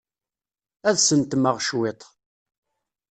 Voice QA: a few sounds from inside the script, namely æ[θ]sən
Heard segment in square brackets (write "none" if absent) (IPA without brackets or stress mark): ð